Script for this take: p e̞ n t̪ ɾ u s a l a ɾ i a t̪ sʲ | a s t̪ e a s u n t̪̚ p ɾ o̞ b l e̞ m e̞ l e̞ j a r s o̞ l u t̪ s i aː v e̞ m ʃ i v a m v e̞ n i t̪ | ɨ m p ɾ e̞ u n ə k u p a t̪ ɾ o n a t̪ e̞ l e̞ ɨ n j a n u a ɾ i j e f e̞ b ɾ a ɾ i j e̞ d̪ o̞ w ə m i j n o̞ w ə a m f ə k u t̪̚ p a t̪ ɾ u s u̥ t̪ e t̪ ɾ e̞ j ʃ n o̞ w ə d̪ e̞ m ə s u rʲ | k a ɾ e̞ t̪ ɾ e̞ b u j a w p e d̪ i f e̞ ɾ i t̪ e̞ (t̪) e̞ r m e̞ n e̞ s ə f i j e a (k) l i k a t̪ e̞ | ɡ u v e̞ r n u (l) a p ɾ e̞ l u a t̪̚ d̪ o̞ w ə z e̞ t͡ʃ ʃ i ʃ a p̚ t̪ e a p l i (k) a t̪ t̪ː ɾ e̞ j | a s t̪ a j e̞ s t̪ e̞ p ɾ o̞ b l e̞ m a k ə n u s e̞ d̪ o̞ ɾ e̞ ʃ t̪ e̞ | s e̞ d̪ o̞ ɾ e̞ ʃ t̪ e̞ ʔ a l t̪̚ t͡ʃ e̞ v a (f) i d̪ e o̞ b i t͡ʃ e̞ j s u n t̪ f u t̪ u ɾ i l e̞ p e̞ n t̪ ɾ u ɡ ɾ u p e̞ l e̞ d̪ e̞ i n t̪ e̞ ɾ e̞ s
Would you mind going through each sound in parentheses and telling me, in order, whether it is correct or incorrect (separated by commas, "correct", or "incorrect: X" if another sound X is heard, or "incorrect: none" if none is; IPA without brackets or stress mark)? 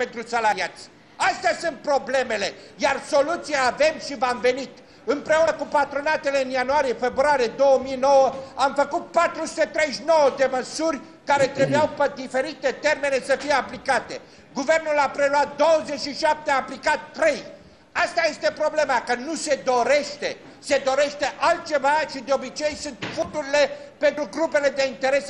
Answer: correct, incorrect: p, correct, correct, incorrect: ʃ